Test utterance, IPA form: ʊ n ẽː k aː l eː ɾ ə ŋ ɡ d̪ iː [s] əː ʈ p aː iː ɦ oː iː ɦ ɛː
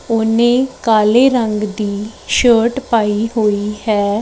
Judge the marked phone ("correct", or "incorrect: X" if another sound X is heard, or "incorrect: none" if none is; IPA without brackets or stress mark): incorrect: ʃ